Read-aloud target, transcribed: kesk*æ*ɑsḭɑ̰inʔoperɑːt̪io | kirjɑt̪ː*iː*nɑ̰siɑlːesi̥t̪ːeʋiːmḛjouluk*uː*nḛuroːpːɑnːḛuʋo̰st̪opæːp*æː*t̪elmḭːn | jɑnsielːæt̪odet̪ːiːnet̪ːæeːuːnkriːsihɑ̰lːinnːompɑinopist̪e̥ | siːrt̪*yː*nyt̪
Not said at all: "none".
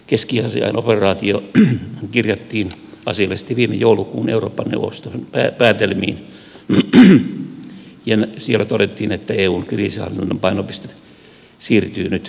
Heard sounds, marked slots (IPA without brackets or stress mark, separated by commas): i, iː, uː, æː, yː